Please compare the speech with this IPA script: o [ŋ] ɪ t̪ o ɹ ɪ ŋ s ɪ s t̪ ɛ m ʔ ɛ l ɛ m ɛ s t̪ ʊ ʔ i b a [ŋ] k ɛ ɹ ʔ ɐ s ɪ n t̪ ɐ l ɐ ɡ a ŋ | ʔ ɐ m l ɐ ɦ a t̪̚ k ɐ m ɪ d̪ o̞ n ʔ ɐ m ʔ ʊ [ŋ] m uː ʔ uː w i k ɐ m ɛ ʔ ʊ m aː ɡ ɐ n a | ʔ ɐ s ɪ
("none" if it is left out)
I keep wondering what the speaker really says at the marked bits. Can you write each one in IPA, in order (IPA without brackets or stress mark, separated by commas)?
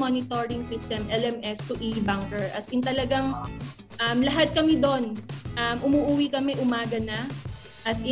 n, ŋ, none